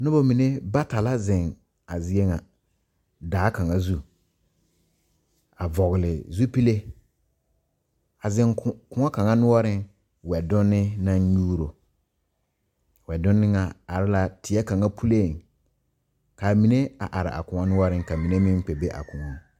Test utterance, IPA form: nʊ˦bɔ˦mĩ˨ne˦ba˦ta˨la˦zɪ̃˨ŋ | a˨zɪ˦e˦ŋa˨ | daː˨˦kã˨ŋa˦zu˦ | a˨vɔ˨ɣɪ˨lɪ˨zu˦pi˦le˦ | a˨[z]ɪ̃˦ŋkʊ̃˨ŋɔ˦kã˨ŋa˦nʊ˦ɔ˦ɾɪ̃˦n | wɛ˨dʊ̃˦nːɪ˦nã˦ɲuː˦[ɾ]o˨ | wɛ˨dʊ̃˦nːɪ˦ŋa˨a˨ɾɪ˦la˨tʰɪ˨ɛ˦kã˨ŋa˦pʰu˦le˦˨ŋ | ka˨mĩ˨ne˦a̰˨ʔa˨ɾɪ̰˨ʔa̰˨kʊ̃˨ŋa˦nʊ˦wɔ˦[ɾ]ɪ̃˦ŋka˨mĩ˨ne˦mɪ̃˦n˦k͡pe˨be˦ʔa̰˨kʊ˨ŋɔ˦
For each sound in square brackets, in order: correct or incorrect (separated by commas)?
correct, correct, correct